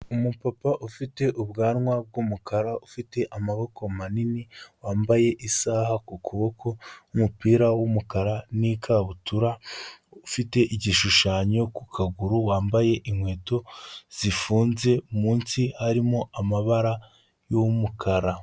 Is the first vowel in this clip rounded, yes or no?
yes